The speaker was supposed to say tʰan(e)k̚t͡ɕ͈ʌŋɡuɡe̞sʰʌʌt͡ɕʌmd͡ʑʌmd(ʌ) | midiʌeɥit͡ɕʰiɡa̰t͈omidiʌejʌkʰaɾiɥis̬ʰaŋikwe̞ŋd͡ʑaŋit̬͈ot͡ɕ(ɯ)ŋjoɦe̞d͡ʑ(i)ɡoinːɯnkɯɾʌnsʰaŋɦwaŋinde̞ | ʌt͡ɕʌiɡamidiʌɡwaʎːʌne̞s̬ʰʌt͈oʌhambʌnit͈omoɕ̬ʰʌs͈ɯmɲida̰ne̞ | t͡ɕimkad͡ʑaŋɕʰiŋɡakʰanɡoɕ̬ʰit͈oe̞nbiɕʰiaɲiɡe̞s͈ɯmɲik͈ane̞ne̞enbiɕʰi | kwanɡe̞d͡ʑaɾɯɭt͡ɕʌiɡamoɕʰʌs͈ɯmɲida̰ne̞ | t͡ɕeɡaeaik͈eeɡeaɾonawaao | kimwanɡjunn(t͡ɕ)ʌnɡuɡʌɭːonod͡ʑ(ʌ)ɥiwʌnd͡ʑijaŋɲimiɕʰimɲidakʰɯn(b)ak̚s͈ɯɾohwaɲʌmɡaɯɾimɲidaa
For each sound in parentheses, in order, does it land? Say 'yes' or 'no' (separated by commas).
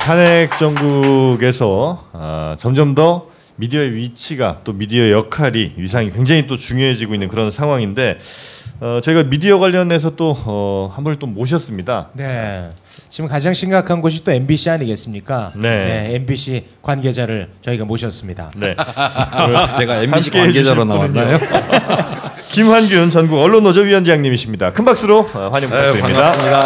yes, yes, no, yes, yes, yes, yes